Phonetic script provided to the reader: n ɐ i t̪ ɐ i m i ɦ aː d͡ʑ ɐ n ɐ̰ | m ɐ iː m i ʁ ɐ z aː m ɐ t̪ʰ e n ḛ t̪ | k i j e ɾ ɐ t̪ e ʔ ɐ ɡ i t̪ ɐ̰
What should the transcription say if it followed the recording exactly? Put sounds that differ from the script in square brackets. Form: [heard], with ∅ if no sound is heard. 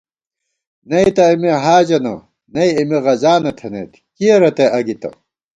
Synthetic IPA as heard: n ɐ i t̪ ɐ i m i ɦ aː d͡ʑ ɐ n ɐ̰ | [n] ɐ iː m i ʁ ɐ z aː [n] ɐ t̪ʰ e n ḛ t̪ | k i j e ɾ ɐ t̪ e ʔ ɐ ɡ i t̪ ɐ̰

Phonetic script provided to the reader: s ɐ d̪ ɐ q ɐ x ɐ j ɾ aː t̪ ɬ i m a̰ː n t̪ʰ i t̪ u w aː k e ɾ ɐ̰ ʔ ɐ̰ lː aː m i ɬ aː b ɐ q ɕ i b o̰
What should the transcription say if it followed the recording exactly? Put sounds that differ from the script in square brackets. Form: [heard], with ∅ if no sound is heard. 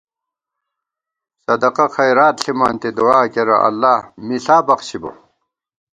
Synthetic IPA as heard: s ɐ d̪ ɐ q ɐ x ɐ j ɾ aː t̪ ɬ i m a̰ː n [t̪] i [d̪] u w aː k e ɾ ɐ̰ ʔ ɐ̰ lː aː m i ɬ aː b ɐ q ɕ i b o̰

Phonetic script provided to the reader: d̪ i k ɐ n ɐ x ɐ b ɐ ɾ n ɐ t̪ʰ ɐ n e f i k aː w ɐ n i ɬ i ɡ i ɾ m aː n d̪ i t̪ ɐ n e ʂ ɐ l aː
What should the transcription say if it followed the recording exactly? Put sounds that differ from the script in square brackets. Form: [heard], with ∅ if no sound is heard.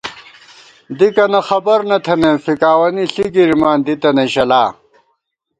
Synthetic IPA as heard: d̪ i k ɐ n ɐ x ɐ b ɐ ɾ n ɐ t̪ʰ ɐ n e f i k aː w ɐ n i ɬ i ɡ i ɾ m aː n d̪ i t̪ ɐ n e [ɕ] ɐ l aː

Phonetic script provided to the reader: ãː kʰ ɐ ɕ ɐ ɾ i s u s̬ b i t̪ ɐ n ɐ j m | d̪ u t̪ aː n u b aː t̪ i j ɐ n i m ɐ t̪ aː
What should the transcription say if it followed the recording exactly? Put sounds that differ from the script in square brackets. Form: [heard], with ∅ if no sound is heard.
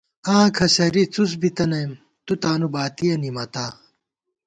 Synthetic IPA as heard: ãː kʰ ɐ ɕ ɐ ɾ i [t͡s] u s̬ b i t̪ ɐ n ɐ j m | [t̪] u t̪ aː n u b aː t̪ i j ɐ n i m ɐ t̪ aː

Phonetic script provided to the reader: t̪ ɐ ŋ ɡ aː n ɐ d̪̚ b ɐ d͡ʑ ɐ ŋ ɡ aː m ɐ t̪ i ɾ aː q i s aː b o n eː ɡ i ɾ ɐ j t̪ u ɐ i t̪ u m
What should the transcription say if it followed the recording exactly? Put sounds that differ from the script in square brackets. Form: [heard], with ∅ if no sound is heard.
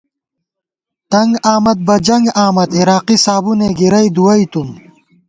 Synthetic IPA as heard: t̪ ɐ ŋ ɡ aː [m] ɐ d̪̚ b ɐ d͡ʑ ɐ ŋ ɡ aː m ɐ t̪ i ɾ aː q i s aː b [u] n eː ɡ i ɾ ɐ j [d̪] u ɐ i t̪ u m

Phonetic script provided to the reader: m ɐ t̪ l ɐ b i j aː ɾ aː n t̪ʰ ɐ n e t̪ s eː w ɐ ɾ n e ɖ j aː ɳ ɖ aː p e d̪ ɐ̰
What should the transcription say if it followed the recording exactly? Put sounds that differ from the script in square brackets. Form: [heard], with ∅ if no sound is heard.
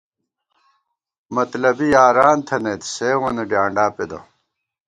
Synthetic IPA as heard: m ɐ t̪ l ɐ b i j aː ɾ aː n t̪ʰ ɐ n e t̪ s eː w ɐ [∅] n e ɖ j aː ɳ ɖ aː p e d̪ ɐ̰

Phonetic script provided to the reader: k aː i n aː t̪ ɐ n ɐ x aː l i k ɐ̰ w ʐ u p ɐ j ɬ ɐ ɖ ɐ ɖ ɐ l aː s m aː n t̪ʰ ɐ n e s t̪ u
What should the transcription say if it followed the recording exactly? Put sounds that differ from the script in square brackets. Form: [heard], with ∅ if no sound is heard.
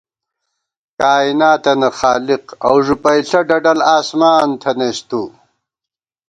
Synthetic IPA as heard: k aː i n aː t̪ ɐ n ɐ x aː l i [q] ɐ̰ w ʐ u p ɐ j ɬ ɐ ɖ ɐ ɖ ɐ l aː s m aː n t̪ʰ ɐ n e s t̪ u

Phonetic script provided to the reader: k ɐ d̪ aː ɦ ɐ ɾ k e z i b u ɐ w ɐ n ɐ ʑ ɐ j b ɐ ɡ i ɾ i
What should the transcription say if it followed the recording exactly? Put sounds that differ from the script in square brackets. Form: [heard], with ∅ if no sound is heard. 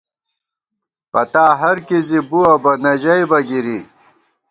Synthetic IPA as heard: [p] ɐ [t̪] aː ɦ ɐ ɾ k [i] z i b u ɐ [b] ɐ n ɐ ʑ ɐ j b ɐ ɡ i ɾ i

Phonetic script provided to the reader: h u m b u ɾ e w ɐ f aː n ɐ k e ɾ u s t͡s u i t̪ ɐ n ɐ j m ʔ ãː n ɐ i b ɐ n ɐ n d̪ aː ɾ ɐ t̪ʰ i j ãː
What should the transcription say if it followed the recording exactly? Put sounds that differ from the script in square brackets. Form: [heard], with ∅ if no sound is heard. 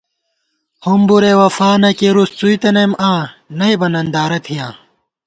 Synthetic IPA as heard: h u m b u ɾ e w ɐ f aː n ɐ k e ɾ u s t͡s u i t̪ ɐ n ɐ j m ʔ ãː n ɐ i b ɐ n ɐ n d̪ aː ɾ ɐ t̪ʰ i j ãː

